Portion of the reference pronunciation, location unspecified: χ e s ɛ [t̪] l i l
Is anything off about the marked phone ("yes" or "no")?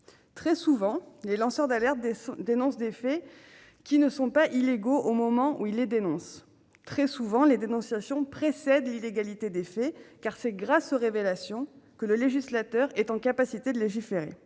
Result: yes